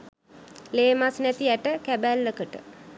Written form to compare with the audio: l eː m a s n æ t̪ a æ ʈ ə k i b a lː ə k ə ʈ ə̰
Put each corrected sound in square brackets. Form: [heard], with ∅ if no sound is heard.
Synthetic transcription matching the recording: l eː m a s n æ t̪ [i] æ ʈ ə k [æ] b [æ] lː ə k ə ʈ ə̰